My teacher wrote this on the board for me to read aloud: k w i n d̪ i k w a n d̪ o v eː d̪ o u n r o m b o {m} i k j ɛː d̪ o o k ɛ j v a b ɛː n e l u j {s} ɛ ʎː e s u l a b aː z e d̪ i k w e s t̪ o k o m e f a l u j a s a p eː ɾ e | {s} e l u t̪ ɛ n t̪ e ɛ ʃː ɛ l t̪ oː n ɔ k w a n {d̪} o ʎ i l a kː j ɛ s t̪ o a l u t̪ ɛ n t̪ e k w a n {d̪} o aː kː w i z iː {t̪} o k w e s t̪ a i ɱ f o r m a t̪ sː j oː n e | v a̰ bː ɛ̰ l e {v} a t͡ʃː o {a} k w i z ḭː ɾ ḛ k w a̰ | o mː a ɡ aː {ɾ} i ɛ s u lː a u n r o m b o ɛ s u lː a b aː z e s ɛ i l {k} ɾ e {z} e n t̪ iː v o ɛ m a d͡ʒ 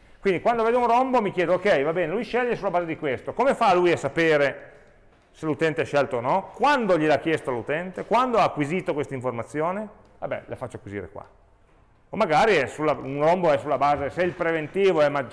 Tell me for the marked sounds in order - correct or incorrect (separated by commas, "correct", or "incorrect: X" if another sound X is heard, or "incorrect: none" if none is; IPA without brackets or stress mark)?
correct, incorrect: ʃ, correct, correct, correct, correct, incorrect: f, correct, correct, incorrect: p, incorrect: v